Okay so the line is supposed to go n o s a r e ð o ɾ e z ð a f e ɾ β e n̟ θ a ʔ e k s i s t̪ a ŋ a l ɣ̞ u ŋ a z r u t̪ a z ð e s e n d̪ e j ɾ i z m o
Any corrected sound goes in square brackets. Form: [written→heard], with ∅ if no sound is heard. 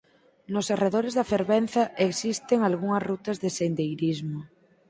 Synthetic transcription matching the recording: n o s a r e ð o ɾ e z ð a f e ɾ β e n̟ θ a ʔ e k s i s t̪ [a→e] ŋ a l ɣ̞ u ŋ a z r u t̪ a z ð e s e n d̪ e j ɾ i z m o